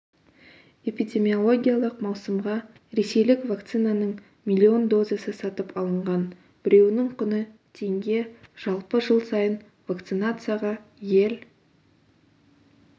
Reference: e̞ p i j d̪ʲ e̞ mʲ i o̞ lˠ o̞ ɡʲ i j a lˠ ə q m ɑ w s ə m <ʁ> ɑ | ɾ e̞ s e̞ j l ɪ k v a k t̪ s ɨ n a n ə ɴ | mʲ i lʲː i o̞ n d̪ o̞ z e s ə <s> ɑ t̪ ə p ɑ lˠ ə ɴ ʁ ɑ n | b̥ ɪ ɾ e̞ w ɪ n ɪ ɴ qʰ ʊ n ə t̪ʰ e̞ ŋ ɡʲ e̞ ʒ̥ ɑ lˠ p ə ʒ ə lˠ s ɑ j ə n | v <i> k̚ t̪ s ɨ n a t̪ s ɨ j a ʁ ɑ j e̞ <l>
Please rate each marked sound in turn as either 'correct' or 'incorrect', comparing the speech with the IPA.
correct, correct, incorrect: a, correct

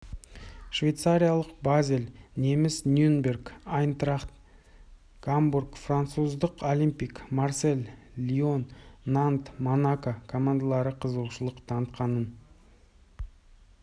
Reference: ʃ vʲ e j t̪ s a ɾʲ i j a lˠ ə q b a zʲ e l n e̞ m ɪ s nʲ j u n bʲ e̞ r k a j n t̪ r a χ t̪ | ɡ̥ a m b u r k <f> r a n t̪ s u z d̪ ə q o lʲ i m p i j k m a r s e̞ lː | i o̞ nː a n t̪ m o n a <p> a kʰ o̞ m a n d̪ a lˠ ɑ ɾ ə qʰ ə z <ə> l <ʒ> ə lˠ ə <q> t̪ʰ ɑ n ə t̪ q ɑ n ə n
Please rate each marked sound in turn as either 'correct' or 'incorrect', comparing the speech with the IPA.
correct, incorrect: k, correct, incorrect: ʃ, correct

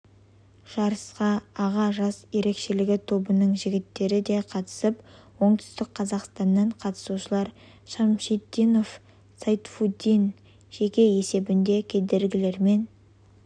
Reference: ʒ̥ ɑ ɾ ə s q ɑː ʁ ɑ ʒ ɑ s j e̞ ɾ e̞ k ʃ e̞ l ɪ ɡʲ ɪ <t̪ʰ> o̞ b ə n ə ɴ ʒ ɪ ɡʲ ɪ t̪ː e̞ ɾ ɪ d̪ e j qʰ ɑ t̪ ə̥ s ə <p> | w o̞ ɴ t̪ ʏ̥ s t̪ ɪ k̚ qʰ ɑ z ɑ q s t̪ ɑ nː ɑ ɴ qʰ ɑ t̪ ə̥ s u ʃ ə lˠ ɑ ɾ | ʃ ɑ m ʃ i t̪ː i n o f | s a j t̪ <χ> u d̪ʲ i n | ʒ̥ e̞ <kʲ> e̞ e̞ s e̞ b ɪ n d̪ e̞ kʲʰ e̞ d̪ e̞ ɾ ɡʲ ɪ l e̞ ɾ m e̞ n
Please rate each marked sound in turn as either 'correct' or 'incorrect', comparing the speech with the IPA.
correct, correct, incorrect: f, correct

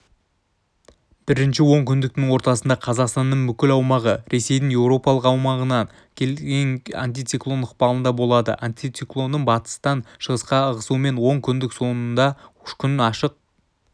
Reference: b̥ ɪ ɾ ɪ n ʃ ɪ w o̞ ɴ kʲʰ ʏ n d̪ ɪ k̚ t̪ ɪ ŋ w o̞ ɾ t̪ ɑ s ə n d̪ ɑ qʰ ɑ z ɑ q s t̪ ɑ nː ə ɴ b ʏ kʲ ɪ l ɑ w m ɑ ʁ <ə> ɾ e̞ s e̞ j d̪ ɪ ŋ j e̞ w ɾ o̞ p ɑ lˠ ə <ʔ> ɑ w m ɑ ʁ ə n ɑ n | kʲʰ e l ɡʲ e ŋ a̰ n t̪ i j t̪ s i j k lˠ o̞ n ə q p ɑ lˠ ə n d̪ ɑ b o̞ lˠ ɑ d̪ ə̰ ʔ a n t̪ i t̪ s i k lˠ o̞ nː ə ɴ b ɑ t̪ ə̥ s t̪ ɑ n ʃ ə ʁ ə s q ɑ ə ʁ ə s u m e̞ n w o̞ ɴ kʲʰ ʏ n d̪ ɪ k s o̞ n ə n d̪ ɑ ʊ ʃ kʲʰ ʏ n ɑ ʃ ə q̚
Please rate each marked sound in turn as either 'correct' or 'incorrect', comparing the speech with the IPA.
correct, incorrect: q

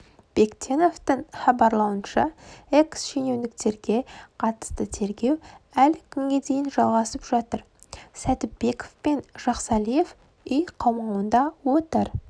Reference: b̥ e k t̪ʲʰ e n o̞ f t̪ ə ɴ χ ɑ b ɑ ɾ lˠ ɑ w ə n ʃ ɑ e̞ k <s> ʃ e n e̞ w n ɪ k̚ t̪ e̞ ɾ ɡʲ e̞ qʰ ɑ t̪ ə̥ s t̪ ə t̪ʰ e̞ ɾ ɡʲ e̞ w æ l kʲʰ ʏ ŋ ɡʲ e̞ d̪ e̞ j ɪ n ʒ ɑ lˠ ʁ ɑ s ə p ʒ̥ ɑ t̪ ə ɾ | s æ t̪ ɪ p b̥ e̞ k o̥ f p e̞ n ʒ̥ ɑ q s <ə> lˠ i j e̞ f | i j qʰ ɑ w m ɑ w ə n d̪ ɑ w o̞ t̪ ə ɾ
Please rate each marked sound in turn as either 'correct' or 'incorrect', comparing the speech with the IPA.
correct, incorrect: ɑ

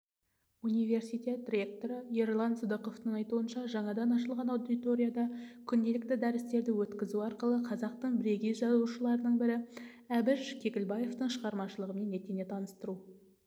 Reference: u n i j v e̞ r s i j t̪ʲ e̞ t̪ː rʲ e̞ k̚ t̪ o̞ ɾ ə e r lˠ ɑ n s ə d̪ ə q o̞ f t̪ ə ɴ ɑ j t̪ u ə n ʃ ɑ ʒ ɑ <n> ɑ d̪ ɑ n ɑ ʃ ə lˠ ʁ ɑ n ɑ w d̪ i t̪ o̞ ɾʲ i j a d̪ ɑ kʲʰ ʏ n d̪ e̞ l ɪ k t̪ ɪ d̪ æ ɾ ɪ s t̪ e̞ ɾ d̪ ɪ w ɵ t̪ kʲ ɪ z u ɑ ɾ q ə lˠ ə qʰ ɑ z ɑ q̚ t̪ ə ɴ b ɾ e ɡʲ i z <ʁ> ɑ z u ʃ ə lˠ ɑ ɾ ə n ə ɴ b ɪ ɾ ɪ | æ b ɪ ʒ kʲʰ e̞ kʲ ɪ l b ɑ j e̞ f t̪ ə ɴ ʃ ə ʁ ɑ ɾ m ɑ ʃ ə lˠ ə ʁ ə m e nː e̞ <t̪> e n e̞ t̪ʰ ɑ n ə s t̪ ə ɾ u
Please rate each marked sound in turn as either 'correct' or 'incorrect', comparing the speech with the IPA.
incorrect: ɴ, incorrect: ʒ, correct

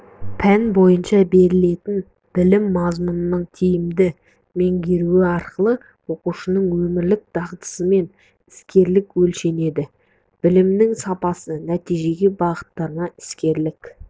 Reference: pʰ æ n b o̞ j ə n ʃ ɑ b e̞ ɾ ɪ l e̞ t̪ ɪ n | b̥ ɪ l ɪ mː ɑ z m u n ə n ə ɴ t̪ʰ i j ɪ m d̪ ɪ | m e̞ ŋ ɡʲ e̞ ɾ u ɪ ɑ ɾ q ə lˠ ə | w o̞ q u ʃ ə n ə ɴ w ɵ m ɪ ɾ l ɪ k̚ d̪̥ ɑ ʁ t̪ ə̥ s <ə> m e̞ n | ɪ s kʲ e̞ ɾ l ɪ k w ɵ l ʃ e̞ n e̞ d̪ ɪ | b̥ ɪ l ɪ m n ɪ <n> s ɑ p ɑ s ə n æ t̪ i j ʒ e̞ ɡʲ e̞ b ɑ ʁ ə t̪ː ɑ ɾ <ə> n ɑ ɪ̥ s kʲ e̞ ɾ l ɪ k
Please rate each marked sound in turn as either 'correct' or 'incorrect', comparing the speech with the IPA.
correct, incorrect: ŋ, correct

